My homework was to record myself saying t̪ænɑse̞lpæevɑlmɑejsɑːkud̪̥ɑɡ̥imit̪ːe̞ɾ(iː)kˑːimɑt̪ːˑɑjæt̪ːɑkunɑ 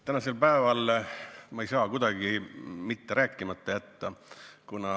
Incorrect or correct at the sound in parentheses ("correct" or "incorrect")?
incorrect